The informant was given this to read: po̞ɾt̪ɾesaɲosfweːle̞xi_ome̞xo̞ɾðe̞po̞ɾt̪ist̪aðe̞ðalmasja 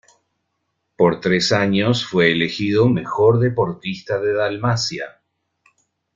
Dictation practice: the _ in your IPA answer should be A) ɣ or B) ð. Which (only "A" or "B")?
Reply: B